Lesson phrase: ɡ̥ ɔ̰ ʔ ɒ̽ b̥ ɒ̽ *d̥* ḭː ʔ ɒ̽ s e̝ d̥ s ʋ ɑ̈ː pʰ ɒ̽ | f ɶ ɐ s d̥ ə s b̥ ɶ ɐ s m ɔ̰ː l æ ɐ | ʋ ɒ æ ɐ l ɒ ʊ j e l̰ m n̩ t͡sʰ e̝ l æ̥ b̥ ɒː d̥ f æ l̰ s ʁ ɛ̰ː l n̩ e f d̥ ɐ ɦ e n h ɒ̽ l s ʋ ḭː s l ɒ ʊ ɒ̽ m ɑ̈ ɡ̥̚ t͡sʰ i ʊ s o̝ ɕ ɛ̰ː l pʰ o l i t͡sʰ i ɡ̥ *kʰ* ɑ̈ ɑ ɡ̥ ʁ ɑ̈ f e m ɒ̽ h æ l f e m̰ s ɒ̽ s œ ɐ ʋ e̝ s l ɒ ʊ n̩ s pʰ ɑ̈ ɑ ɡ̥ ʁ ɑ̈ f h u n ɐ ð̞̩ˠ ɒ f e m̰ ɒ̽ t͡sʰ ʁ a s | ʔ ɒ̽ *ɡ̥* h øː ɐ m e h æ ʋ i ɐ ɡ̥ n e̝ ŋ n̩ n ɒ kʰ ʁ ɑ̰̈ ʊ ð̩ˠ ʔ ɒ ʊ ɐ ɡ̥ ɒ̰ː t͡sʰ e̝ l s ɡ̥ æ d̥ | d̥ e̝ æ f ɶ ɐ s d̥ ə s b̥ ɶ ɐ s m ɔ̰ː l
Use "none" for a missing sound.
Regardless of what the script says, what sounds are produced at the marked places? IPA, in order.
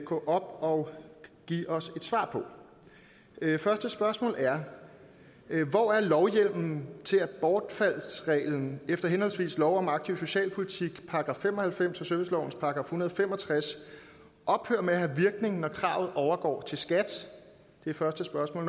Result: ɡ̥, pʰ, b̥

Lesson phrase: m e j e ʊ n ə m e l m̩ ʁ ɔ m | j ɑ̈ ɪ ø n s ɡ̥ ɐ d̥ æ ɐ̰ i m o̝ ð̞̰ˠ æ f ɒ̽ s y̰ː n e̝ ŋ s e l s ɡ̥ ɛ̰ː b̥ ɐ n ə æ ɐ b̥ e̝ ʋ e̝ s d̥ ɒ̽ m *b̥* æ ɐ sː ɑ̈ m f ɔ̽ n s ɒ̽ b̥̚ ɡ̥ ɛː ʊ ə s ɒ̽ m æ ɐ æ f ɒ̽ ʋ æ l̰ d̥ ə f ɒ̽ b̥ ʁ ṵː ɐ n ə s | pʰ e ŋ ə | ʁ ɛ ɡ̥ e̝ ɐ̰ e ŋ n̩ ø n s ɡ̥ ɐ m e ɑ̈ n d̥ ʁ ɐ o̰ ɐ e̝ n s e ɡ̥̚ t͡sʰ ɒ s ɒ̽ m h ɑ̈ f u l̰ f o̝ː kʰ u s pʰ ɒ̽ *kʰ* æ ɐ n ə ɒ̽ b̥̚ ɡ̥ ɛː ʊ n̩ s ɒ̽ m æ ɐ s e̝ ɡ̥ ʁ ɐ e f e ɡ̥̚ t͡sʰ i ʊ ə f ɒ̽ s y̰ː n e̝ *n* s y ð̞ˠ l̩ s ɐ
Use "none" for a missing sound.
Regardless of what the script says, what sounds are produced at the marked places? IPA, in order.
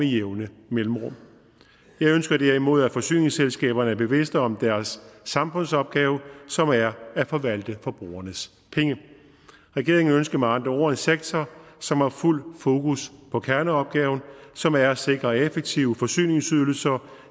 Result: d̥, kʰ, ŋ

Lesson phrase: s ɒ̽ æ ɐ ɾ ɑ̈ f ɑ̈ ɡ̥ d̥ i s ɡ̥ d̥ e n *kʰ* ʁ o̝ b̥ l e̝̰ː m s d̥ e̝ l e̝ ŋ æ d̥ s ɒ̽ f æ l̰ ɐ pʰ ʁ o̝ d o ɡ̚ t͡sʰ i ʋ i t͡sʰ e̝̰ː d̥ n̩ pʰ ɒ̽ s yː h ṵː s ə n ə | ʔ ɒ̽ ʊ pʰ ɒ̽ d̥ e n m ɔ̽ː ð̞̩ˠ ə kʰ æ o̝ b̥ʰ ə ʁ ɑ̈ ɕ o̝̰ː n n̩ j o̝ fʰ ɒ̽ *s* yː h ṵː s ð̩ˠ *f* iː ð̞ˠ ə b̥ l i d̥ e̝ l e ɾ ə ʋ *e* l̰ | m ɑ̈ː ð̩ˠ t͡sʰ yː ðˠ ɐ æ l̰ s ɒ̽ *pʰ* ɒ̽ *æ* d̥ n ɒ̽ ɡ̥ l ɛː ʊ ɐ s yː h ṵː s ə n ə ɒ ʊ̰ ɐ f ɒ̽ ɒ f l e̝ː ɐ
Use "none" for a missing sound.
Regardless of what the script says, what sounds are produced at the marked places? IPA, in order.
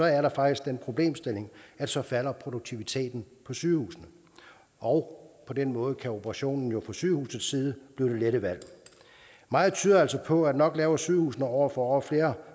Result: pʰ, s, s, æ, pʰ, æ

